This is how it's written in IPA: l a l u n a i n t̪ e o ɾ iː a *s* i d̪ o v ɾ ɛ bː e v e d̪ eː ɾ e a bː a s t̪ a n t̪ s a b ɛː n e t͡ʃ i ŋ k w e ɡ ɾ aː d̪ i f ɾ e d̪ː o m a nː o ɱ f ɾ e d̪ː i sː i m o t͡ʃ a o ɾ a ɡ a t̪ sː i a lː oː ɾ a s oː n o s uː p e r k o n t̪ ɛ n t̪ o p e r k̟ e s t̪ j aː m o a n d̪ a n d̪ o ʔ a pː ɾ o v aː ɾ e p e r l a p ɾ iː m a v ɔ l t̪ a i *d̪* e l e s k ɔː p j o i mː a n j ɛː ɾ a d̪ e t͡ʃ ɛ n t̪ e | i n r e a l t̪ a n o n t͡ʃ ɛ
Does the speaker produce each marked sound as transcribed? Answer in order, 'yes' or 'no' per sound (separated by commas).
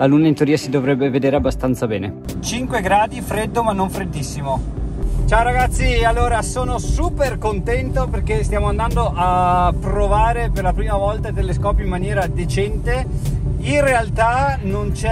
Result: yes, no